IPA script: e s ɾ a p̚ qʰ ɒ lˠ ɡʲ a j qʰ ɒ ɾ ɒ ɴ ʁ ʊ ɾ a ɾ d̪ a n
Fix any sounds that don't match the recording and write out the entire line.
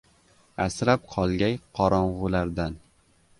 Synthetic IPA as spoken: a s ɾ a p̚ qʰ ɒ lˠ ɡʲ a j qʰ ɒ ɾ ɒ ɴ ʁ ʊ l a ɾ d̪ a n